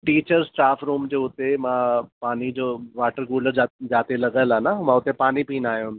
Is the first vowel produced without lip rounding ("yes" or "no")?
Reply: yes